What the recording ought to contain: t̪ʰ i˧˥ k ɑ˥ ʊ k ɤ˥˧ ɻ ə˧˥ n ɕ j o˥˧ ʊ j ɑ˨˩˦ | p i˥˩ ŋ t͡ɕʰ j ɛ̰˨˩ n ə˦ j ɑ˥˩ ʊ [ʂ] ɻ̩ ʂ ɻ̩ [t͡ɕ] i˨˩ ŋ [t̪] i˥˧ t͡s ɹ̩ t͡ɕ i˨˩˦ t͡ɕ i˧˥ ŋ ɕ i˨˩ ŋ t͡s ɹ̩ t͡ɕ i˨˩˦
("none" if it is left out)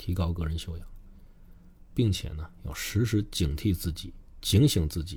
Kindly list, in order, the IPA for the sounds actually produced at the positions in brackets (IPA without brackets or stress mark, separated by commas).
ʂ, t͡ɕ, t̪ʰ